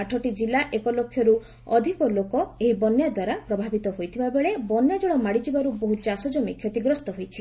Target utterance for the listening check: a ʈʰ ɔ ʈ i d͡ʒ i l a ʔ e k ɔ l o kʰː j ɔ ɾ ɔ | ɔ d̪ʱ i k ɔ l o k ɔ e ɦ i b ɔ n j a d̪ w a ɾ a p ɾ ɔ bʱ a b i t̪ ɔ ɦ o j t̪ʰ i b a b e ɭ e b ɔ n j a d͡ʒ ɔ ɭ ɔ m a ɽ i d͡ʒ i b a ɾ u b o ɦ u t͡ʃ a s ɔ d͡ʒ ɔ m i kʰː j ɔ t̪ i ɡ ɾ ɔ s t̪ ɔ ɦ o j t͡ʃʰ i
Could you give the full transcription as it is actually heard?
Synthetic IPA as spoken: a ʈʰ ɔ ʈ i d͡ʒ i l a ʔ e k ɔ l o kʰː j ɔ ɾ u | ɔ d̪ʱ i k ɔ l o k ɔ e ɦ i b ɔ n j a d̪ w a ɾ a p ɾ ɔ bʱ a b i t̪ ɔ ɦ o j t̪ʰ i b a b e ɭ e b ɔ n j a d͡ʒ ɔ ɭ ɔ m a ɽ i d͡ʒ i b a ɾ u b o ɦ u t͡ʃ a s ɔ d͡ʒ ɔ m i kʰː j ɔ t̪ i ɡ ɾ ɔ s t̪ ɔ ɦ o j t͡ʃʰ i

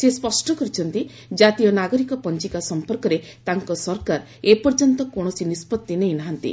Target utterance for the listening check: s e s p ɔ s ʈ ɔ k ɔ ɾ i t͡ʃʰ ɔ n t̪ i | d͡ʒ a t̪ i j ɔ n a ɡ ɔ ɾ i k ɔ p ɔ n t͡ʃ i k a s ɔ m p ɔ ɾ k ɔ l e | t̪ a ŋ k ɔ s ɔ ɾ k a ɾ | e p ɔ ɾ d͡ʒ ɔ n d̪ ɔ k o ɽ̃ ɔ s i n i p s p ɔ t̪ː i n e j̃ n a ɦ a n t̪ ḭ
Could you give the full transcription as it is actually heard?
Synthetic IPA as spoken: s e s p ɔ s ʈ ɔ k ɔ ɾ i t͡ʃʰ ɔ n t̪ i | d͡ʒ a t̪ i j ɔ n a ɡ ɔ ɾ i k ɔ p ɔ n t͡ʃ i k a s ɔ m p ɔ ɾ k ɔ ɾ e | t̪ a ŋ k ɔ s ɔ ɾ k a ɾ | e p ɔ ɾ d͡ʒ ɔ n t̪ ɔ k o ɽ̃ ɔ s i n i s p ɔ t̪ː i n e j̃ n a ɦ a n t̪ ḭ

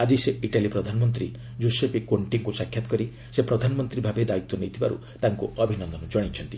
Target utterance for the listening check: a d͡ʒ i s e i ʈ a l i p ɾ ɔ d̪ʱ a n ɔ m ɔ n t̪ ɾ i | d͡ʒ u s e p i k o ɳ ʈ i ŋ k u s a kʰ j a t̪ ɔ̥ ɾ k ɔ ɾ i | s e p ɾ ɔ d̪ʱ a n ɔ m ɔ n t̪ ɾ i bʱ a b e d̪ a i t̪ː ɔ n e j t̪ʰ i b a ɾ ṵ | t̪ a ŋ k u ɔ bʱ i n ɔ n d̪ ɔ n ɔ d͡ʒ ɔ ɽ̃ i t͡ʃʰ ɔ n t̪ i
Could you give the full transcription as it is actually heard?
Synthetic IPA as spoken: a d͡ʒ i s e i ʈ a l i p ɾ ɔ d̪ʱ a n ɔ m ɔ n t̪ ɾ i | d͡ʒ u s e p i k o ɳ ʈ i ŋ k u s a kʰ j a t̪ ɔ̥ k ɔ ɾ i | s e p ɾ ɔ d̪ʱ a n ɔ m ɔ n t̪ ɾ i bʱ a b e d̪ a i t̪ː ɔ n e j t̪ʰ i b a ɾ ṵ | t̪ a ŋ k u ɔ bʱ i n ɔ n d̪ ɔ n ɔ d͡ʒ ɔ ɽ̃ i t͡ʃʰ ɔ n t̪ i

